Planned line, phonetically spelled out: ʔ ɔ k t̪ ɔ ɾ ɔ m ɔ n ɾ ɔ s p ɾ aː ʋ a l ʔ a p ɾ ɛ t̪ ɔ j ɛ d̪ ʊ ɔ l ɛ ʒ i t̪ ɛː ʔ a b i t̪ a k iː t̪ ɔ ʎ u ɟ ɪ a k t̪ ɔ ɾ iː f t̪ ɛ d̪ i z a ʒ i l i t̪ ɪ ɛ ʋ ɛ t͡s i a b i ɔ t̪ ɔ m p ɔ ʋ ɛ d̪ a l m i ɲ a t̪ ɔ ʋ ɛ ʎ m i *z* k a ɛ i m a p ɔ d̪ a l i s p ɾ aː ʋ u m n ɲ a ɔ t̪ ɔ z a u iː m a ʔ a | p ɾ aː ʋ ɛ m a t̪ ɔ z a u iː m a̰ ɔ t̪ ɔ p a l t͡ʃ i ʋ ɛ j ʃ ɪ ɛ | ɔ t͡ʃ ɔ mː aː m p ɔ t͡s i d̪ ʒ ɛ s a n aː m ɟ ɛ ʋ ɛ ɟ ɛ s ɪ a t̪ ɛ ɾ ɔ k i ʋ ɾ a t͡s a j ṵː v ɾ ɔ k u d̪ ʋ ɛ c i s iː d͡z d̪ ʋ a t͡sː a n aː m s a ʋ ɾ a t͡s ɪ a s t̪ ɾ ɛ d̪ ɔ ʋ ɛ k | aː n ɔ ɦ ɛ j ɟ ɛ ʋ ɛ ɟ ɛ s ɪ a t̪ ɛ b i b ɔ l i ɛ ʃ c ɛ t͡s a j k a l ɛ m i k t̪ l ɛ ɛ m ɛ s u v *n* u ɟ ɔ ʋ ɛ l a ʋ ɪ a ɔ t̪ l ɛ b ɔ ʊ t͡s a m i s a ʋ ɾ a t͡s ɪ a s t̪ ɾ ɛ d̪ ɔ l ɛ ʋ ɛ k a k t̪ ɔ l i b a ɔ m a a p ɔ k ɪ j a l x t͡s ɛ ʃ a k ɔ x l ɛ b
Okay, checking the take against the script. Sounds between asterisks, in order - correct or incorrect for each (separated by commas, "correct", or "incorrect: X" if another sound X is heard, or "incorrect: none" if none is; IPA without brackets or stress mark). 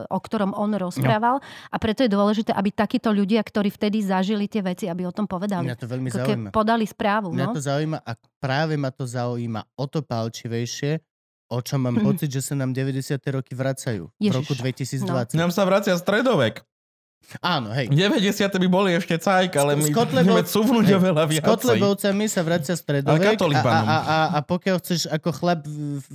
correct, correct